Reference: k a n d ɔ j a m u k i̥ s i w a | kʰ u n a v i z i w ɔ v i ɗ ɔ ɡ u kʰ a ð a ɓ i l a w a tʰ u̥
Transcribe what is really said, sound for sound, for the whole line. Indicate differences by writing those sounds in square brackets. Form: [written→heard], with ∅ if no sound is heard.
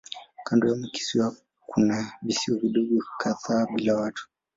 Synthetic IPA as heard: k a n d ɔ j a m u k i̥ s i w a | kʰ u n a v i [z→s] i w ɔ v i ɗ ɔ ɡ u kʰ a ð a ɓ i l a w a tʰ u̥